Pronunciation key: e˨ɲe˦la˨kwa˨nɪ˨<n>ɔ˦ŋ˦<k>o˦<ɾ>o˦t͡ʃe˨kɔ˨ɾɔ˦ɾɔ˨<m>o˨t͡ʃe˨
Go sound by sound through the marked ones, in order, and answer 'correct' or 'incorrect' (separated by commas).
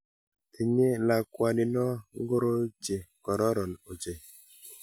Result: correct, incorrect, correct, incorrect